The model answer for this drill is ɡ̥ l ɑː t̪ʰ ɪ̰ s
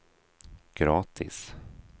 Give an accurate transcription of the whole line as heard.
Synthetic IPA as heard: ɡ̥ ɾ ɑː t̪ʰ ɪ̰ s

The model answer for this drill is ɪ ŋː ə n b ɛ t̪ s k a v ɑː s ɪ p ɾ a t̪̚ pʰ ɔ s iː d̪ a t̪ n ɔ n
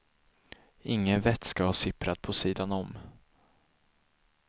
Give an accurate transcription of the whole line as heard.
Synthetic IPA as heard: ɪ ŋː ə n v ɛ t̪ s k a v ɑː s ɪ p ɾ a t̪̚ pʰ ɔ s iː d̪ a n ɔ m

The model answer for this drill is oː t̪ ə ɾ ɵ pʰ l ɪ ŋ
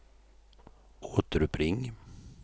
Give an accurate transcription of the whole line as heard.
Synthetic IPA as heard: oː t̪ ə ɾ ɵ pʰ ɾ ɪ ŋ

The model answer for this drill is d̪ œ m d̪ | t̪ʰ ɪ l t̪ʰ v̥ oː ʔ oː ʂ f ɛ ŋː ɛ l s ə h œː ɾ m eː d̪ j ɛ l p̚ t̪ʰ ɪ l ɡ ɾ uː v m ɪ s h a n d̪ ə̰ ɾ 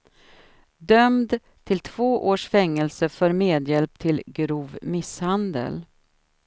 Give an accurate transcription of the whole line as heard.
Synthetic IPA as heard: d̪ œ m d̪ | t̪ʰ ɪ l t̪ʰ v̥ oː ʔ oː ʂ f ɛ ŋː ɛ l s ə f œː ɾ m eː d̪ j ɛ l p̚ t̪ʰ ɪ l ɡ ɾ uː v m ɪ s h a n d̪ ə̰ l

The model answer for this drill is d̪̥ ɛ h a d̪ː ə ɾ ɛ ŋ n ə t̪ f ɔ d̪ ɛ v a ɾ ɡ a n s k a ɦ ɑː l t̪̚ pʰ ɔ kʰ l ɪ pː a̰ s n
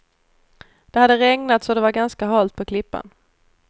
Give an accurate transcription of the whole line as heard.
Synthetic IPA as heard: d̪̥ ɛ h a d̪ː ə ɾ ɛ ŋ n a t̪ s ɔ d̪ ɛ v a ɾ ɡ a n s k a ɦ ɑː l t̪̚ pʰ ɔ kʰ l ɪ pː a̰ n

